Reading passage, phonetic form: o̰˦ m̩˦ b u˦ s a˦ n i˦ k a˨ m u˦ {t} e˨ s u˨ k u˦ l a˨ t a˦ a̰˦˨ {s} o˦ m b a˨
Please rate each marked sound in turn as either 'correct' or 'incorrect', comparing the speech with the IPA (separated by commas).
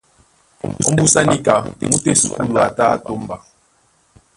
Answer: correct, incorrect